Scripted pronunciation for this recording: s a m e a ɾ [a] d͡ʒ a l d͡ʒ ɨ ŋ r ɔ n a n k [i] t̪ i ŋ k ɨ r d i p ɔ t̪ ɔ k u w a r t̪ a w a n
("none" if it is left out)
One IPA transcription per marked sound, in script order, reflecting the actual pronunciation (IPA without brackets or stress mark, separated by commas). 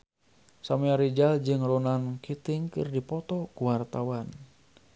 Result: i, i